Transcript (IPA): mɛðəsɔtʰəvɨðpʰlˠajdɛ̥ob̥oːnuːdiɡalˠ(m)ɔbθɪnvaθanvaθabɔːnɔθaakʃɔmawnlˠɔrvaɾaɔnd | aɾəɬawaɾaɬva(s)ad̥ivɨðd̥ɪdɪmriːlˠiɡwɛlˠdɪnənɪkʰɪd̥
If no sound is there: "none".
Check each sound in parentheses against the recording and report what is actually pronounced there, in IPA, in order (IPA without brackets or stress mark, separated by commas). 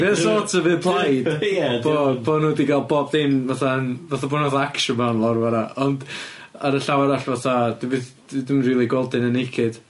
b, θ